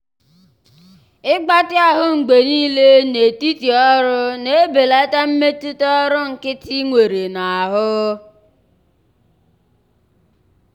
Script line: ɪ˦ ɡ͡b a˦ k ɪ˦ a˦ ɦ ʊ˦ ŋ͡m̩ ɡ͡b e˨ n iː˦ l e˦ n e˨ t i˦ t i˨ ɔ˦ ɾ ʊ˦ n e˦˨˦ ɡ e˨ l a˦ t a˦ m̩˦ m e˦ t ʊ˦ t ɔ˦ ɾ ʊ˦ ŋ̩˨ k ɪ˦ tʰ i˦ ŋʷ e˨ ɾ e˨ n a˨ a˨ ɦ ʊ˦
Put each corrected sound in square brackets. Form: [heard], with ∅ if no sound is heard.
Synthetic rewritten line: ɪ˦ ɡ͡b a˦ [t] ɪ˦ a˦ ɦ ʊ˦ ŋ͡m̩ ɡ͡b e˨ n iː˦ l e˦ n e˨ t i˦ t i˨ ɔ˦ ɾ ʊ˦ n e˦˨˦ [b] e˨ l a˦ t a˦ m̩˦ m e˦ t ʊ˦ t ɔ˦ ɾ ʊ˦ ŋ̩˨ k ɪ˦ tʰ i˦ ŋʷ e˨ ɾ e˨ n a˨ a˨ ɦ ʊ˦